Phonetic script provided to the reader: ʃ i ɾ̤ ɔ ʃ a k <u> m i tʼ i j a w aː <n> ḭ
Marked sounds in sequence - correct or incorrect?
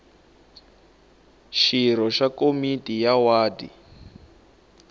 incorrect: o, incorrect: d

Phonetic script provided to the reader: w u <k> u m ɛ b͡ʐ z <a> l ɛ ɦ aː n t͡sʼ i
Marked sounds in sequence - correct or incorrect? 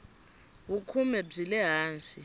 incorrect: kʰ, incorrect: i

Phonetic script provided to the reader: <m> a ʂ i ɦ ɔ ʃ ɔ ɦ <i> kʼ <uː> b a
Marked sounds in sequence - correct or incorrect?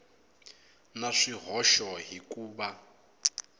incorrect: n, correct, correct

